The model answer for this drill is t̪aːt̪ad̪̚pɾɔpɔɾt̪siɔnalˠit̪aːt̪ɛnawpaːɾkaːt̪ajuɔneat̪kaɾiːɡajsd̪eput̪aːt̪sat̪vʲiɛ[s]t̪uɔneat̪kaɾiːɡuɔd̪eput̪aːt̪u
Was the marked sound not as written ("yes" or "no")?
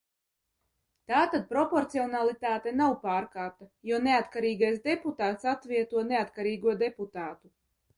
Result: yes